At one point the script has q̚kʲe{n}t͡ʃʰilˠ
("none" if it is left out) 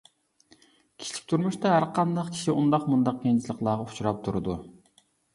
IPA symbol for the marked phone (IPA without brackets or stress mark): n